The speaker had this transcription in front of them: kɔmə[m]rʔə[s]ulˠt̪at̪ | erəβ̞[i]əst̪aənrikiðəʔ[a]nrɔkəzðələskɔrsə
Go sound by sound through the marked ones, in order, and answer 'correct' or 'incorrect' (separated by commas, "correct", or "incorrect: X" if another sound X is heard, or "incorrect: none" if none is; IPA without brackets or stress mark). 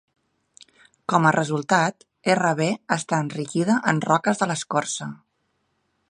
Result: incorrect: none, incorrect: z, incorrect: e, incorrect: ə